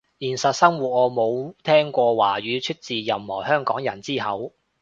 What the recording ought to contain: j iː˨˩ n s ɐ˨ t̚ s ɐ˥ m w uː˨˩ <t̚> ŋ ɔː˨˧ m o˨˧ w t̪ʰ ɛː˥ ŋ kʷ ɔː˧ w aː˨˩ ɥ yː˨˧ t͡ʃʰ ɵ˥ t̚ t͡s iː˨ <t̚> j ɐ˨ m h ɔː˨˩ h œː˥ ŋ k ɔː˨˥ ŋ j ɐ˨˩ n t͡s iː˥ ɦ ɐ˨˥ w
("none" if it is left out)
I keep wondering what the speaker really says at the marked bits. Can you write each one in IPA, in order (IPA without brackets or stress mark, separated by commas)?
t̚, none